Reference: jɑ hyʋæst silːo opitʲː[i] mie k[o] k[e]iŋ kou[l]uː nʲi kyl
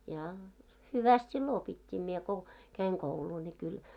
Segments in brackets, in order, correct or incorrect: incorrect: iː, correct, incorrect: æ, correct

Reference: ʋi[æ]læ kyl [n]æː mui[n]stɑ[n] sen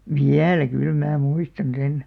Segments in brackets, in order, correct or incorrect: correct, incorrect: m, incorrect: none, correct

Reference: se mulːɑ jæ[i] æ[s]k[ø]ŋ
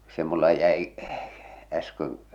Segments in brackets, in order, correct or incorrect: correct, correct, correct

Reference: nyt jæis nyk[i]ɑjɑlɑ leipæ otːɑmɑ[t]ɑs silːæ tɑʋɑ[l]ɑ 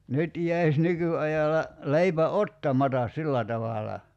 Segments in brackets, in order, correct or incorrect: incorrect: y, correct, correct

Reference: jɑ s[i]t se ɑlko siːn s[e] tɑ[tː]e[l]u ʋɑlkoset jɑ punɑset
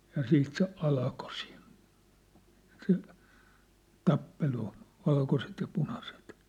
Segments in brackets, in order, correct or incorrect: incorrect: iː, correct, incorrect: pː, correct

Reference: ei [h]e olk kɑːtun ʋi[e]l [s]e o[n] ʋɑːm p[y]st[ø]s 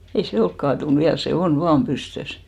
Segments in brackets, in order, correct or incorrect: incorrect: s, incorrect: æ, correct, correct, correct, correct

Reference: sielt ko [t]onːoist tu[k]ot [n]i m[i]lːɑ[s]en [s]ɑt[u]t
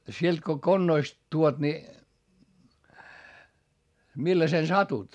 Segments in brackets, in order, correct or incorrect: incorrect: k, incorrect: none, correct, correct, correct, correct, correct

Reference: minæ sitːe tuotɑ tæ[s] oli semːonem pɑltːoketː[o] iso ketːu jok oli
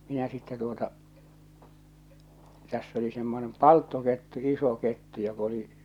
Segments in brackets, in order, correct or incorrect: incorrect: sː, incorrect: u

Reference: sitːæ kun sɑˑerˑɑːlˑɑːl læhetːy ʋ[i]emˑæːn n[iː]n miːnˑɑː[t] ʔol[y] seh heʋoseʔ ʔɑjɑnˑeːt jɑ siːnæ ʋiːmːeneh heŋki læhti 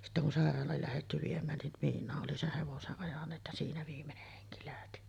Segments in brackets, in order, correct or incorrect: correct, incorrect: i, incorrect: ʔ, incorrect: i

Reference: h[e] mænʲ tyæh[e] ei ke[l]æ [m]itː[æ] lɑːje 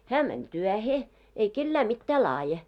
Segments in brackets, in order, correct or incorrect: incorrect: æ, correct, incorrect: lː, correct, incorrect: æː

